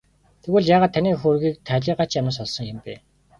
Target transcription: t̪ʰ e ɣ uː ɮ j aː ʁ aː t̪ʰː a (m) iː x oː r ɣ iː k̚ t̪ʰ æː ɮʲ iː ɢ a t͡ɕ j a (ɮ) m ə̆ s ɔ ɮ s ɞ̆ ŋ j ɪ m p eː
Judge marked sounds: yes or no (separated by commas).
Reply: no, no